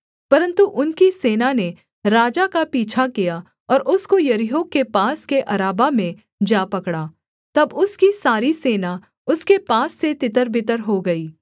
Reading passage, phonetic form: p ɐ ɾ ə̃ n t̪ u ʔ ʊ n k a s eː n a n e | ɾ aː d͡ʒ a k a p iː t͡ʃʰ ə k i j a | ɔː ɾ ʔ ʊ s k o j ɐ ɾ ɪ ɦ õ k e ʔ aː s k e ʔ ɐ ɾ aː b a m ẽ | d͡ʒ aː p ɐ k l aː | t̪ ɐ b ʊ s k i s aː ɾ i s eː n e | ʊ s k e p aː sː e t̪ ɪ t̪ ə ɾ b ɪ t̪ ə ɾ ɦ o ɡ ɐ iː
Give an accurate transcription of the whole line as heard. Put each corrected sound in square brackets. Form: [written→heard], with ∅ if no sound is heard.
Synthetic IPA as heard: p ɐ ɾ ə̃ n t̪ u ʔ ʊ n k [a→i] s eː n a n e | ɾ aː d͡ʒ a k a p iː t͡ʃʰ [ə→a] k i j a | ɔː ɾ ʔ ʊ s k o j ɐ ɾ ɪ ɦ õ k e [ʔ→p] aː s k e ʔ ɐ ɾ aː b a m ẽ | d͡ʒ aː p ɐ k [l→ɽ] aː | t̪ ɐ b ʊ s k i s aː ɾ i s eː n [e→a] | ʊ s k e p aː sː e t̪ ɪ t̪ ə ɾ b ɪ t̪ ə ɾ ɦ o ɡ ɐ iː